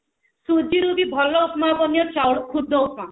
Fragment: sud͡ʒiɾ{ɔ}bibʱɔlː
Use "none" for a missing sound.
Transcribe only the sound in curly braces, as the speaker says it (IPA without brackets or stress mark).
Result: u